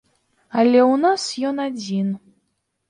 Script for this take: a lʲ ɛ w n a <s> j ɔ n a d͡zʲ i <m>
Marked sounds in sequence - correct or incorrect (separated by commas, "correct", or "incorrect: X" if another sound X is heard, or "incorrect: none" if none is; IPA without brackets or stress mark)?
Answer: correct, incorrect: n